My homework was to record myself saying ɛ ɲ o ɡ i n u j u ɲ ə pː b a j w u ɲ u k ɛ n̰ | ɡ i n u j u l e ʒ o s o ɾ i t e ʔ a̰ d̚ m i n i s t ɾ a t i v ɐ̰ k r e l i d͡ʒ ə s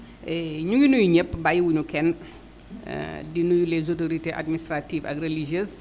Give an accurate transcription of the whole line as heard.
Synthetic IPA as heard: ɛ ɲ u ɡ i n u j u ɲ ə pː b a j w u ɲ u k ɛ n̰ | d i n u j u l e z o t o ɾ i t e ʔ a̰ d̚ m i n i s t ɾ a t i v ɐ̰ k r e l i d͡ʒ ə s